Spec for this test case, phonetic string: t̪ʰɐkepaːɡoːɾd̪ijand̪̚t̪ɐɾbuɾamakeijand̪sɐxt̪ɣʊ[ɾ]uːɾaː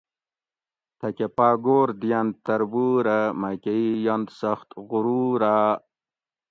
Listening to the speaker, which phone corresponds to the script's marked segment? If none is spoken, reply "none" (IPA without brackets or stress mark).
ɾ